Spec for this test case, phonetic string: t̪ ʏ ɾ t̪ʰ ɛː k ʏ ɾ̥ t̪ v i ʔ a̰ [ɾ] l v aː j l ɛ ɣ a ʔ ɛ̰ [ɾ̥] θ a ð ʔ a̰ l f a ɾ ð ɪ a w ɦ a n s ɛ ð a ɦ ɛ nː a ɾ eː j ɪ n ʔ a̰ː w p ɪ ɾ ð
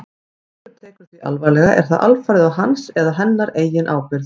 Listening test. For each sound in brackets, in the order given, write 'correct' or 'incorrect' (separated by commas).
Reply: incorrect, correct